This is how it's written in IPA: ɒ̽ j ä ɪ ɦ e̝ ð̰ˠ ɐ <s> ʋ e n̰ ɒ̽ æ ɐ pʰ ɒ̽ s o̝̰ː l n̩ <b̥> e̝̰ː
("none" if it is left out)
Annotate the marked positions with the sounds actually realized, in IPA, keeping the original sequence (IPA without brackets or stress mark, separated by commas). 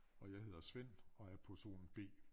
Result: s, b̥